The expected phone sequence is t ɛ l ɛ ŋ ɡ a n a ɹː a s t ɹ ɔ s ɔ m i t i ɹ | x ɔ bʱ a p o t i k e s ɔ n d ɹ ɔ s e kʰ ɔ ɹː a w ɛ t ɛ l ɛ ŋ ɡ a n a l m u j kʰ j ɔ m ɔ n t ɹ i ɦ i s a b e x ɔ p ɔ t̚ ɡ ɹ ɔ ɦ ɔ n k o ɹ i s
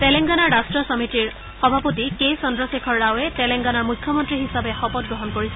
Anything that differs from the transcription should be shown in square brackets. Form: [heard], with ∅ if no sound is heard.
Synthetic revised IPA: t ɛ l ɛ ŋ ɡ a n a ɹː a s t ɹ ɔ s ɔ m i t i ɹ | x ɔ bʱ a p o t i k e s ɔ n d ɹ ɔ s e kʰ ɔ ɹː a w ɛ t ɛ l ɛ ŋ ɡ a n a [ɹ] m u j kʰ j ɔ m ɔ n t ɹ i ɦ i s a b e x ɔ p ɔ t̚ ɡ ɹ ɔ ɦ ɔ n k o ɹ i s